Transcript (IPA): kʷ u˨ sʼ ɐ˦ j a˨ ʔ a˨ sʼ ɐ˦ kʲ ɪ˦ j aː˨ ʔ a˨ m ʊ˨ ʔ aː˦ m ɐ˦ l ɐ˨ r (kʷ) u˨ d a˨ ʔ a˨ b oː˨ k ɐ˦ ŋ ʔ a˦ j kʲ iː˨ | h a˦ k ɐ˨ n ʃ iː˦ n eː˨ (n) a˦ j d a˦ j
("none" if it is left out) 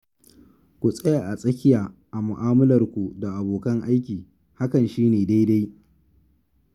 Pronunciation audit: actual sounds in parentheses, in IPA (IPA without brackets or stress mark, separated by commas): kʷ, d